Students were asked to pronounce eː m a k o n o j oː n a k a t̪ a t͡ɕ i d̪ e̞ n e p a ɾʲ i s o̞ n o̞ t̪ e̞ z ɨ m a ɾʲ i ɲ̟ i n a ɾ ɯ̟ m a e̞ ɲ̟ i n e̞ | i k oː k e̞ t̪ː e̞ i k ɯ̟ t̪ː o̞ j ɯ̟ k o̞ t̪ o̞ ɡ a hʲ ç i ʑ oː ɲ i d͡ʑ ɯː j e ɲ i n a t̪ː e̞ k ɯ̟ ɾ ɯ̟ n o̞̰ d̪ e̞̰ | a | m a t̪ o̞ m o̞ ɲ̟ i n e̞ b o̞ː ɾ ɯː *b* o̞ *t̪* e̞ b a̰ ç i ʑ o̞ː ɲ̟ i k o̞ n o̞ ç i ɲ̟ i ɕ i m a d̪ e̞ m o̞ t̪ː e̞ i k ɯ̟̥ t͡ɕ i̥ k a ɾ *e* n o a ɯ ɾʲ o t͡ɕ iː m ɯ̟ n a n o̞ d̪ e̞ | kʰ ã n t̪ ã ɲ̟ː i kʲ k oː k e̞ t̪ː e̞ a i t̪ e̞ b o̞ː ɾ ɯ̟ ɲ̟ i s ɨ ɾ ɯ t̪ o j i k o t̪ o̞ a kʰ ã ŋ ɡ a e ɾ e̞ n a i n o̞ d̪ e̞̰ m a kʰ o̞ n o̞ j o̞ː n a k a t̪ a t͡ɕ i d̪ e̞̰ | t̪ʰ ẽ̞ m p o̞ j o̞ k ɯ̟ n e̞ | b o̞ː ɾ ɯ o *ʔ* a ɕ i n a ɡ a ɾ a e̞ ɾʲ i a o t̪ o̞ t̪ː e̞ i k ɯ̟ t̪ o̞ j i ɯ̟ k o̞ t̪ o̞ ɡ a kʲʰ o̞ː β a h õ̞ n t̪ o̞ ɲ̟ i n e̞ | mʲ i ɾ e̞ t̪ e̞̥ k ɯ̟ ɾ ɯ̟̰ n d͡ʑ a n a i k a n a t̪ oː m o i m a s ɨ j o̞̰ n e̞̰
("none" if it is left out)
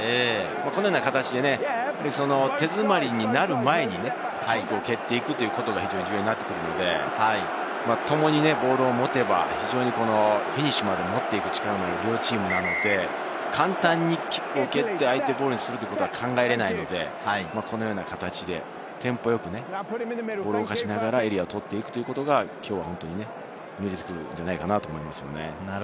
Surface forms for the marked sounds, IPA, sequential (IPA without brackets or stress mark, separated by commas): m, t̪, a, k